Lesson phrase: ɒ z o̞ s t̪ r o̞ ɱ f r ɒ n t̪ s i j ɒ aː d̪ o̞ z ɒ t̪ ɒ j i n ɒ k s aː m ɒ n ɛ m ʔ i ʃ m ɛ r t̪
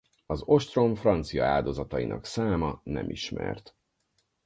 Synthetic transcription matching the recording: ɒ z o̞ ʃ t̪ r o̞ ɱ f r ɒ n t̪ s i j ɒ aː d̪ o̞ z ɒ t̪ ɒ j i n ɒ k s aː m ɒ n ɛ m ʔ i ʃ m ɛ r t̪